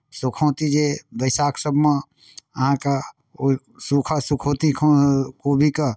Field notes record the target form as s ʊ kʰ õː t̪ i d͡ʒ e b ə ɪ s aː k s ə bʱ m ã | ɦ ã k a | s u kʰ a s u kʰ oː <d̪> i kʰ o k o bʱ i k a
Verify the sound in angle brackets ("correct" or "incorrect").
incorrect